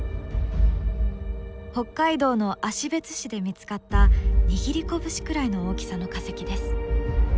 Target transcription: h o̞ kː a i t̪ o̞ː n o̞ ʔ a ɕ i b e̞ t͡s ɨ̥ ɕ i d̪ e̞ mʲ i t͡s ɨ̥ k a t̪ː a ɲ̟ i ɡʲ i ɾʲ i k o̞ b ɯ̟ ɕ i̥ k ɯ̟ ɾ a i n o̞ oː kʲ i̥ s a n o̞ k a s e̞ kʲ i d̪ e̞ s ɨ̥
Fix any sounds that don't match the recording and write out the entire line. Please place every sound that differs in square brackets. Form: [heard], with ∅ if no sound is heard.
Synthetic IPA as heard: h o̞ kː a i [d̪] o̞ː n o̞ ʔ a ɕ i b e̞ t͡s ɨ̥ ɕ i d̪ e̞ mʲ i t͡s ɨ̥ k a t̪ː a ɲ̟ i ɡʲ i ɾʲ i k o̞ b ɯ̟ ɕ i̥ k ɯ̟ ɾ a i n o̞ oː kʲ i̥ s a n o̞ k a s e̞ kʲ i d̪ e̞ s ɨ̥